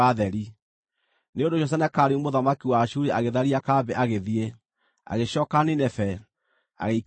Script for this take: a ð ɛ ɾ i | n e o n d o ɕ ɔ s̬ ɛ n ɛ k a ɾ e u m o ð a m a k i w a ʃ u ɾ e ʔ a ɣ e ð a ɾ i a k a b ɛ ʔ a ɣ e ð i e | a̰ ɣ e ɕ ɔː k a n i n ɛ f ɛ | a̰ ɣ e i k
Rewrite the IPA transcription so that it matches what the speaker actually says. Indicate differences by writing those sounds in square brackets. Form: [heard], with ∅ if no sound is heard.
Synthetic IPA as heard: a ð ɛ ɾ i | n e o n d o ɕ ɔ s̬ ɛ n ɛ k a ɾ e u m o ð a m a k i w a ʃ u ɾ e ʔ a ɣ e ð a ɾ i a k a b ɛ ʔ a ɣ e ð i e | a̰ ɣ e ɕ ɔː k a n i n ɛ f ɛ | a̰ ɣ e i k

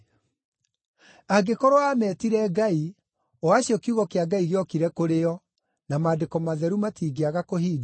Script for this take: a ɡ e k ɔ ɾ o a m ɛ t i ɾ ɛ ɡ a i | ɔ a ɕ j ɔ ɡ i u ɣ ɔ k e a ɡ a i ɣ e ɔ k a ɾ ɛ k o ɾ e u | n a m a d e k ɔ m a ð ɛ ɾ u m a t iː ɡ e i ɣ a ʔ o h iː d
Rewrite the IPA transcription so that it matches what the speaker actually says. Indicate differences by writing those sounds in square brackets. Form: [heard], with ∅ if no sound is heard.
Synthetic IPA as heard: a ɡ e k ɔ ɾ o a m ɛ t i ɾ ɛ ɡ a i | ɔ a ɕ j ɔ [k] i u ɣ ɔ k e a ɡ a i ɣ e ɔ k [i] ɾ ɛ k o ɾ e [ɔ] | n a m a d e k ɔ m a ð ɛ ɾ u m a t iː ɡ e [a] ɣ a [k] o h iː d

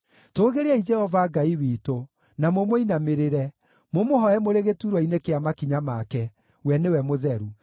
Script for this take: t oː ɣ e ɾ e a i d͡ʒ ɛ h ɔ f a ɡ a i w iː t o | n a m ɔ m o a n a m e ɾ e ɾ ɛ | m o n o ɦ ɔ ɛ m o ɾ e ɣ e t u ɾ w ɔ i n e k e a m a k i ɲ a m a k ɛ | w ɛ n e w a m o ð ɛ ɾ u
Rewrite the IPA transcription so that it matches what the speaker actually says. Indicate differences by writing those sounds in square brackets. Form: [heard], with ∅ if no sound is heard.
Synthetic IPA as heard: t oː ɣ e ɾ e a i d͡ʒ ɛ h ɔ [v] a ɡ a i w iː t o | n a m [o] m o [i] n a m e ɾ e ɾ ɛ | m o [m] o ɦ ɔ ɛ m o ɾ e ɣ e t u ɾ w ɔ i n e k e a m a k i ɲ a m a k ɛ | w ɛ n e w [ɛ] m o ð ɛ ɾ u

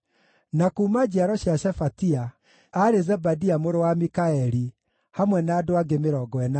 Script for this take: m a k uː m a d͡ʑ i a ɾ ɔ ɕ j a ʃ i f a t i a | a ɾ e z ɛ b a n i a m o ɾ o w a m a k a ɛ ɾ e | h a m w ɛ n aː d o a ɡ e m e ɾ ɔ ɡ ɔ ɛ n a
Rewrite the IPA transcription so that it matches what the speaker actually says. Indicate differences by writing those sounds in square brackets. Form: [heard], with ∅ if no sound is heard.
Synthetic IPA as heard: [n] a k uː m a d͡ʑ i a ɾ ɔ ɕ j a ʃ [ɛ] f a t i a | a ɾ e z ɛ b a [d] i a m o ɾ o w a m [i] k a ɛ ɾ [i] | h a m w ɛ n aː d o a ɡ e m e ɾ ɔ ɡ ɔ ɛ n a

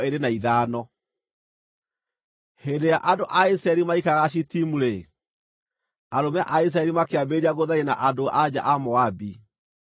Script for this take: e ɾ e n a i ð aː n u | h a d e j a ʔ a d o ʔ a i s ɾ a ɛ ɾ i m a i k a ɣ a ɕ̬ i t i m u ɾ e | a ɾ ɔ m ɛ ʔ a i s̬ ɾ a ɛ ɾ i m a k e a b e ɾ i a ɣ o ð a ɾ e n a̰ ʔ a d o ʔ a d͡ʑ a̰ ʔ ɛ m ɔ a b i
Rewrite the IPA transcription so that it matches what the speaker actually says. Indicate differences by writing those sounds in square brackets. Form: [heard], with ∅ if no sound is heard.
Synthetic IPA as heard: e ɾ e n a i ð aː n [ɔ] | h [e] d e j a ʔ a d o ʔ a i s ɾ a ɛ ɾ i m a i k a ɣ a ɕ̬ i t i m u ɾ e | a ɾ [o] m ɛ ʔ a i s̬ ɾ a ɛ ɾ i m a k e a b e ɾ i a ɣ o ð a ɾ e n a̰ ʔ a d o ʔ a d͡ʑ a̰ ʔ [a] m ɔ a b i

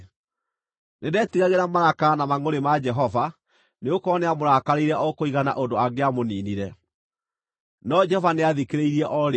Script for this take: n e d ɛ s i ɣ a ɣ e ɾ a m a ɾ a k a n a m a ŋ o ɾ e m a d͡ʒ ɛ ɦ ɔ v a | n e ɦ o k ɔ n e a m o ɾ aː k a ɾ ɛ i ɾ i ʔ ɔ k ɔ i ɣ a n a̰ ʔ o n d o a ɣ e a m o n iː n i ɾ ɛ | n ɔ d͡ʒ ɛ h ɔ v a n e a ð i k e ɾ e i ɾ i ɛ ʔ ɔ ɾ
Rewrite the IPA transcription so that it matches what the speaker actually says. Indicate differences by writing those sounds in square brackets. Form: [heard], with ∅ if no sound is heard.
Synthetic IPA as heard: n e d ɛ [t] i ɣ a ɣ e ɾ a m a ɾ a k a n a m a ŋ o ɾ e m a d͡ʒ ɛ ɦ ɔ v a | n e [∅] o k ɔ n e a m o ɾ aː k a ɾ [e] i ɾ [ɛ] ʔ ɔ k [o] i ɣ a n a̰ ʔ o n d o a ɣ e a m o n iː n i ɾ ɛ | n ɔ d͡ʒ ɛ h ɔ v a n e a ð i k e ɾ e i ɾ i ɛ ʔ ɔ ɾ

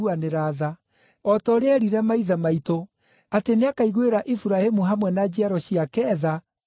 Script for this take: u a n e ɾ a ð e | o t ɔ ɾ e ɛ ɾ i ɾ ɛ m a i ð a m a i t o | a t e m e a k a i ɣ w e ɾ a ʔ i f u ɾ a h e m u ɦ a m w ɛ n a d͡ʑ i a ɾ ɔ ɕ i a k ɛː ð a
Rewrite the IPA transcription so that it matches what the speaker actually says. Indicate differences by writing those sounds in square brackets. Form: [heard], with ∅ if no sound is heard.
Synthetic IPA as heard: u a n e ɾ a ð [a] | [ɔ] t ɔ ɾ e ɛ ɾ i ɾ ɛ m a i ð a m a i t o | a t e [n] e a k a i ɣ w e ɾ a ʔ i f u ɾ a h e m u ɦ a m w ɛ n a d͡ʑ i a ɾ ɔ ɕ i a k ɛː ð a

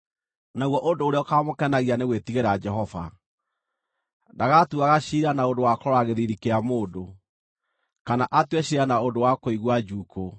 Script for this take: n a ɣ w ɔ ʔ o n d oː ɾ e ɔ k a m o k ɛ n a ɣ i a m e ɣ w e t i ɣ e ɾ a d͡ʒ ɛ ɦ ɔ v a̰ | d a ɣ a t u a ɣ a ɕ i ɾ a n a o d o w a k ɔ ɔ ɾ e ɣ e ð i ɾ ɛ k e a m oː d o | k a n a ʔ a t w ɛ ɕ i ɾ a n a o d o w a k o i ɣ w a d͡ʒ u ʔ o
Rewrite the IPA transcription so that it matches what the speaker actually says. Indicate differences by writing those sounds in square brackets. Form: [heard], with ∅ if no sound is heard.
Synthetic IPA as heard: n a ɣ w ɔ ʔ o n d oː ɾ e ɔ k a m o k ɛ n a ɣ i a [n] e ɣ w e t i ɣ e ɾ a d͡ʒ ɛ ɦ ɔ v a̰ | d a ɣ a t u a ɣ a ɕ i ɾ a n a o d o w a k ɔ ɔ ɾ [a] ɣ e ð i ɾ [i] k e a m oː d o | k a n a ʔ a t w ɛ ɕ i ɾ a n a o d o w a k o i ɣ w a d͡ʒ u [k] o

